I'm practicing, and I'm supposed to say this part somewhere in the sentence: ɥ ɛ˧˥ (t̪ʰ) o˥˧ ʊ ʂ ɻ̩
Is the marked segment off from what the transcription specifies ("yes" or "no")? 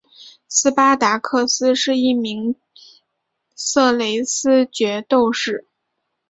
yes